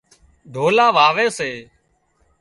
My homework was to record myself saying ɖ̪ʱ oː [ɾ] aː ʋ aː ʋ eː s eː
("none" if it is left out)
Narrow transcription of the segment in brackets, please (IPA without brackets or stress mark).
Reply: l